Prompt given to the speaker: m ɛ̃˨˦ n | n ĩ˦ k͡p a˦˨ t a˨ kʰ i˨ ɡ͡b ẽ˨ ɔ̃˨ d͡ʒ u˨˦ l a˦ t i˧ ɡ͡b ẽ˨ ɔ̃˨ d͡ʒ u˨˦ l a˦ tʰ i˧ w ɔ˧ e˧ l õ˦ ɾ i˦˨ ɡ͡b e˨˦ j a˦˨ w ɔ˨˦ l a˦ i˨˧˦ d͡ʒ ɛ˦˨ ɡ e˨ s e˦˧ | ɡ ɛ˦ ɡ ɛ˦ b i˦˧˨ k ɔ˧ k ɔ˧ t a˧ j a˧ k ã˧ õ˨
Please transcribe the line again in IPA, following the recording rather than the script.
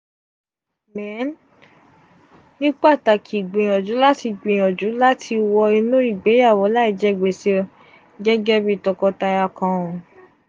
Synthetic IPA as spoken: m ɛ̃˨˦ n | n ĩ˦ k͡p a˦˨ t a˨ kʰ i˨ ɡ͡b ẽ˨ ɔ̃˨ d͡ʒ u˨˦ l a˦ t i˧ ɡ͡b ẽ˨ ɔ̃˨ d͡ʒ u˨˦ l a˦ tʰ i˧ w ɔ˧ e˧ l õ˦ ɾ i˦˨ ɡ͡b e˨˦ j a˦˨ w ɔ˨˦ l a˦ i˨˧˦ d͡ʒ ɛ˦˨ ɡ͡b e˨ s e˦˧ | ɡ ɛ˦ ɡ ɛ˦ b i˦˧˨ t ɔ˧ k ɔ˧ t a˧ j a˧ k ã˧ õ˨

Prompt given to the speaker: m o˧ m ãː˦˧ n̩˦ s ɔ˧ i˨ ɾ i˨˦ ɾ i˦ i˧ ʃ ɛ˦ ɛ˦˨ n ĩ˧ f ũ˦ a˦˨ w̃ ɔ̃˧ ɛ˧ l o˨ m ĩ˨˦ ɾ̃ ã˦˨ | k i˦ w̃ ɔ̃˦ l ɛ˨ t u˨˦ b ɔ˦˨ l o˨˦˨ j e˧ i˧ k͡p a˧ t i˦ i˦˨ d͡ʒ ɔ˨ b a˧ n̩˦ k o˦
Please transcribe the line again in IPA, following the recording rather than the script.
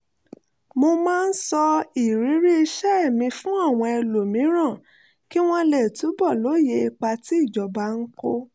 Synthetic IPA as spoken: m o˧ m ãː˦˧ n̩˦ s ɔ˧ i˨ ɾ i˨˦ ɾ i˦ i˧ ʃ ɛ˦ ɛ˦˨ m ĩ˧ f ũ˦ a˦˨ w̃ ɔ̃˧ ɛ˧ l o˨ m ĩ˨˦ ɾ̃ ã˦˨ | k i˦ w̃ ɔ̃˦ l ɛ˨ t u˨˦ b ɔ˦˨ l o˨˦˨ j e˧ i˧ k͡p a˧ t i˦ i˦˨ d͡ʒ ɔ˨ b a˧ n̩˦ k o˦

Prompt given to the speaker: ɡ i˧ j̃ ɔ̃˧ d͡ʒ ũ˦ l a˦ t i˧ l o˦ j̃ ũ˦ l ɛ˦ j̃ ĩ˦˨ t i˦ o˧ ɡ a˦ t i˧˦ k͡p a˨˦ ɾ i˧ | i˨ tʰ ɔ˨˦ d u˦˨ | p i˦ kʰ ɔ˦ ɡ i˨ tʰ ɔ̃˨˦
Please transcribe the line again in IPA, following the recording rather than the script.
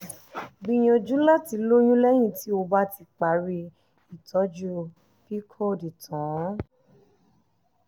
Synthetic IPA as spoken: ɡ͡b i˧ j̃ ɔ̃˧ d͡ʒ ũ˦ l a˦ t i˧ l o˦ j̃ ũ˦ l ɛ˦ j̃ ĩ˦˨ t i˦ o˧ b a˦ t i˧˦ k͡p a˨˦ ɾ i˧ | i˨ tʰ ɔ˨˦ d͡ʒ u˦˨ | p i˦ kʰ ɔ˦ d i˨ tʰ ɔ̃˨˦

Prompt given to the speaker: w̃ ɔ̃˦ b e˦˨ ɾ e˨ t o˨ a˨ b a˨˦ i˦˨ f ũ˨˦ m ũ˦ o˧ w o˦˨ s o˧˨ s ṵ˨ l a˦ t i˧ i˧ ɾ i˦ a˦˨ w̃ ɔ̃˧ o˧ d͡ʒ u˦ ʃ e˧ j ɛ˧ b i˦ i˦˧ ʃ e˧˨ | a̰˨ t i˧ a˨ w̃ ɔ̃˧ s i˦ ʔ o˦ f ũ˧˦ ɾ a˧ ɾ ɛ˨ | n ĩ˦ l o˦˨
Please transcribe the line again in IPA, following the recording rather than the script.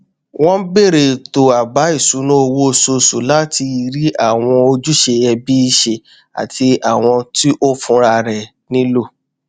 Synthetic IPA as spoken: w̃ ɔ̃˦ b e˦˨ ɾ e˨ t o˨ a˨ b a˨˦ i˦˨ s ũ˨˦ n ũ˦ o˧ w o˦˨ s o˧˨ s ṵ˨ l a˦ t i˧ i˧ ɾ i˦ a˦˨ w̃ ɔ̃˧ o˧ d͡ʒ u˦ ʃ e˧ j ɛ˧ b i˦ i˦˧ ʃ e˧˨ | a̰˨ t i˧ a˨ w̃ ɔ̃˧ t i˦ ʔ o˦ f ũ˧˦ ɾ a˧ ɾ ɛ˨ | n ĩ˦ l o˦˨

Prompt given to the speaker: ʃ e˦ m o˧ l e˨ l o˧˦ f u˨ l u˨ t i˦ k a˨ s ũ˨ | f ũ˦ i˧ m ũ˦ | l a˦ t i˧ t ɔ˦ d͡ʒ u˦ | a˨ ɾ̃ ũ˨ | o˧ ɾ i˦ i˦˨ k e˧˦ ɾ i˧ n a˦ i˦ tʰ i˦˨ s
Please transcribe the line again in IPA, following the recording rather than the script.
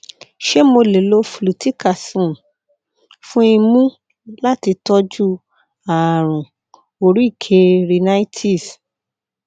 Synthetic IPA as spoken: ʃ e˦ m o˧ l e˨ l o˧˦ f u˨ l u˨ t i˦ k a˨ s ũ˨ | f ũ˦ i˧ m ũ˦ | l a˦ t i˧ t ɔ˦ d͡ʒ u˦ | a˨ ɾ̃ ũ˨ | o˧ ɾ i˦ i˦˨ kʰ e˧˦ ɾ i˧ n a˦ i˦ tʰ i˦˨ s

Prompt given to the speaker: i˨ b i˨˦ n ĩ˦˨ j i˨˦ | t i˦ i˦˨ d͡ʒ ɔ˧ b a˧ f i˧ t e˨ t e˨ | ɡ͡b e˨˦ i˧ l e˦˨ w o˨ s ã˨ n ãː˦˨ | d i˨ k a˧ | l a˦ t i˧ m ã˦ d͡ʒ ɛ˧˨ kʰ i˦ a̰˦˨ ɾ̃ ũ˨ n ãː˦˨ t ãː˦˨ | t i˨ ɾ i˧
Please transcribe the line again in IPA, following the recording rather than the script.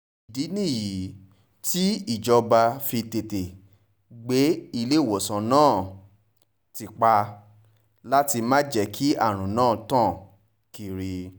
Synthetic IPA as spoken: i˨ d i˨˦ n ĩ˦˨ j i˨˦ | t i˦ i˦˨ d͡ʒ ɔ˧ b a˧ f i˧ t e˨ t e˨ | ɡ͡b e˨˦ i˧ l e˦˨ w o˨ s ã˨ n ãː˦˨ | t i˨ k͡p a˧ | l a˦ t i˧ m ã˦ d͡ʒ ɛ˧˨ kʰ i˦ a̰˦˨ ɾ̃ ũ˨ n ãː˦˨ t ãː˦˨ | k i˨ ɾ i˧

